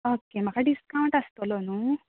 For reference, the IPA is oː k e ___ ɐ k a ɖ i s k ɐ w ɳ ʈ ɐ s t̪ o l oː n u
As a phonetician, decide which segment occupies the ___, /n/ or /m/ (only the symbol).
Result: m